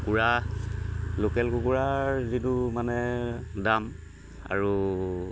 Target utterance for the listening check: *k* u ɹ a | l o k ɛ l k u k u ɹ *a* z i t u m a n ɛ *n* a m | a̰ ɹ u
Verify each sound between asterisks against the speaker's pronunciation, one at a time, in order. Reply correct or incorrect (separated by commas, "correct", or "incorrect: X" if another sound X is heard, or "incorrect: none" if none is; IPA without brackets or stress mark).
correct, correct, incorrect: d